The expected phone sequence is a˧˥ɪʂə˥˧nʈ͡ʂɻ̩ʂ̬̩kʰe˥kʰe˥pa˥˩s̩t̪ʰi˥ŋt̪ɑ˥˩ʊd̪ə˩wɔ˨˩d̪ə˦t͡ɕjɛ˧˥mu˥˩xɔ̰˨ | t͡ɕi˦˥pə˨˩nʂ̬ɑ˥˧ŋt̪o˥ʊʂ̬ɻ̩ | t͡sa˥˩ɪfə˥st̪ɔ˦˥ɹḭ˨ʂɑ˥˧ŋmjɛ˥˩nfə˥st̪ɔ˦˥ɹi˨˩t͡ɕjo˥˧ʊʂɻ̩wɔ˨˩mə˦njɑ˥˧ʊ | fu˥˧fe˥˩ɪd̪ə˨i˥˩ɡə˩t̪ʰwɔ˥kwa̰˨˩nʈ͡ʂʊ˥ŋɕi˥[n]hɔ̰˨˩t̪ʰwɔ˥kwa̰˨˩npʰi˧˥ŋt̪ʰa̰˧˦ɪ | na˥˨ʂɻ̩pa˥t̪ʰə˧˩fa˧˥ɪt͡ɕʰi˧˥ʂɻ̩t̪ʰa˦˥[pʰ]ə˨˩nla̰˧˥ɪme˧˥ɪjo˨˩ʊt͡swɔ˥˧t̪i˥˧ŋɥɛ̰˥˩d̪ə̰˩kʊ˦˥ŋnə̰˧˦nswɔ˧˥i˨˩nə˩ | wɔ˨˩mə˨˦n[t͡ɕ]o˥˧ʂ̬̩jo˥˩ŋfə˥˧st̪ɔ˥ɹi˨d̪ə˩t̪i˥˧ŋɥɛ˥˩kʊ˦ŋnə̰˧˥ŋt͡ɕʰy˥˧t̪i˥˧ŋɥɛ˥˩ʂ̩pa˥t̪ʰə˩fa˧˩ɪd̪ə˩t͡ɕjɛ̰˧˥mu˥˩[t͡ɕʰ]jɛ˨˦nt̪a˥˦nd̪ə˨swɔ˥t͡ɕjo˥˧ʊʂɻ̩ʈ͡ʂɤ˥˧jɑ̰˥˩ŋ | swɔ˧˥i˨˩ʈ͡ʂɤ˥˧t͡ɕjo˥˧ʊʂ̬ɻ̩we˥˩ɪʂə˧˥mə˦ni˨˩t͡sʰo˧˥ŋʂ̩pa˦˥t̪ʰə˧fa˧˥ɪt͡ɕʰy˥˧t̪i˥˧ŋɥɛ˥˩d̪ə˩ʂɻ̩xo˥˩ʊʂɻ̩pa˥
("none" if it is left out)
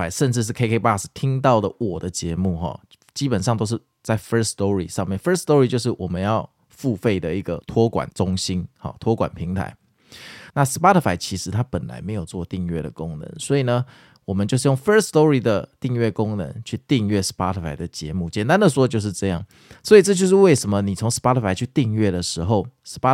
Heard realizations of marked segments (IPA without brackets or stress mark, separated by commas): n, p, t͡ɕ, t͡ɕ